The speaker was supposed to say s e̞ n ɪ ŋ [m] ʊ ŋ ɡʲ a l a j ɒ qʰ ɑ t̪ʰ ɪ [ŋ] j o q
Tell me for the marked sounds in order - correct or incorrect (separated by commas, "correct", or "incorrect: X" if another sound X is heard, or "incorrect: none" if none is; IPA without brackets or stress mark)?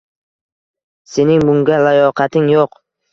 incorrect: b, correct